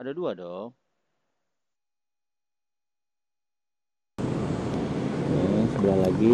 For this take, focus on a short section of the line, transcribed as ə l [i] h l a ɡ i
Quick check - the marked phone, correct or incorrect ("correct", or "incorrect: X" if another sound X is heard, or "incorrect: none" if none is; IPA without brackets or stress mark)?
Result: incorrect: a